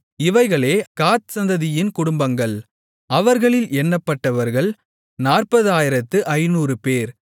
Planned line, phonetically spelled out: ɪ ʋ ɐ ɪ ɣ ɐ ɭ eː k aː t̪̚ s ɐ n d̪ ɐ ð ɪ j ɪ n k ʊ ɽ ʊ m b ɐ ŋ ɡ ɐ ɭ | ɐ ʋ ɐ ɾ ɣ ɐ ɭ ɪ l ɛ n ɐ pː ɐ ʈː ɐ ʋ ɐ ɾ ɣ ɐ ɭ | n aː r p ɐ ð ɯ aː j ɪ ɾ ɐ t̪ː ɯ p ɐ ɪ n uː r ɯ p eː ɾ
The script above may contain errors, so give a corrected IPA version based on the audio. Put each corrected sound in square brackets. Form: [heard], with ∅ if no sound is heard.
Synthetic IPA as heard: ɪ ʋ ɐ ɪ ɣ ɐ ɭ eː k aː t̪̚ s ɐ n d̪ ɐ ð ɪ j ɪ n k ʊ ɽ ʊ m b ɐ ŋ ɡ ɐ ɭ | ɐ ʋ ɐ ɾ ɣ ɐ ɭ ɪ l ɛ [nː] ɐ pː ɐ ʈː ɐ ʋ ɐ ɾ ɣ ɐ ɭ | n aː r p ɐ ð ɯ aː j ɪ ɾ ɐ t̪ː ɯ [ʔ] ɐ ɪ n uː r ɯ p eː ɾ